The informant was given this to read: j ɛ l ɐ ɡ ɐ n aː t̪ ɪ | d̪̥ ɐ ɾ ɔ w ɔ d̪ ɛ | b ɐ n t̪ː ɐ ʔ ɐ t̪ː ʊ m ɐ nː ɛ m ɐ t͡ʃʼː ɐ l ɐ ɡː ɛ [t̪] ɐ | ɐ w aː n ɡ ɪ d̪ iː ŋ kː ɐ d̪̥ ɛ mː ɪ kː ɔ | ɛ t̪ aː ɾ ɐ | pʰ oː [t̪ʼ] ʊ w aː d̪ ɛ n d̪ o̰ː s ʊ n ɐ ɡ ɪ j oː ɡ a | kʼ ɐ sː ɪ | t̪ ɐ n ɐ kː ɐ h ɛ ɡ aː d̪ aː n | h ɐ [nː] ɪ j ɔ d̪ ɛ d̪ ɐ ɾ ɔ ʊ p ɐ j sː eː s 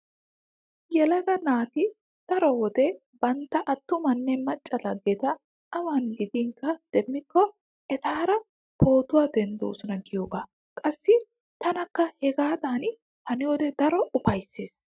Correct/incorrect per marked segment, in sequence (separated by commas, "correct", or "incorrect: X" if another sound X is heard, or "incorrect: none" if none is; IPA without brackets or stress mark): correct, incorrect: t̪, incorrect: n